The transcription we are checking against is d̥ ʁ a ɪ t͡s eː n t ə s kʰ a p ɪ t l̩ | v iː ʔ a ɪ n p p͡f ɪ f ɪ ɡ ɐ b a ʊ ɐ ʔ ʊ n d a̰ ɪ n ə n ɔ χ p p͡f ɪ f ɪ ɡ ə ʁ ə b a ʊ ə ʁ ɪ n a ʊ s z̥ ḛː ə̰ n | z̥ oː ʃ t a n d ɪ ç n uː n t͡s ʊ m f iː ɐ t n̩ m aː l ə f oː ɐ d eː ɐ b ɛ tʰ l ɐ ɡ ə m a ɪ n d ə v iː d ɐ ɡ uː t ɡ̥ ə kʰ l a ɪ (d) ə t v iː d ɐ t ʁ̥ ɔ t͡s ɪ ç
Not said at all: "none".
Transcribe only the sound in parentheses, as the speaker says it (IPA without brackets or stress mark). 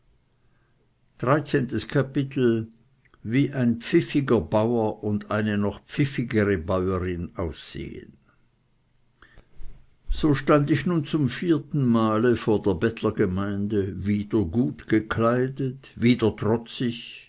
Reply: d